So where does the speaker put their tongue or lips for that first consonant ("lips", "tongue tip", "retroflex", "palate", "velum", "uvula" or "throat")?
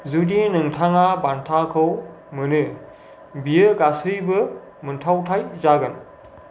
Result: tongue tip